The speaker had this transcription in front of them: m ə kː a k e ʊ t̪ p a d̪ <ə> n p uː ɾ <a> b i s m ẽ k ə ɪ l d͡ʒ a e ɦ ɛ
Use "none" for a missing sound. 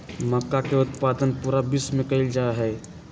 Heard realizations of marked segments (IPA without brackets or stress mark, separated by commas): ə, a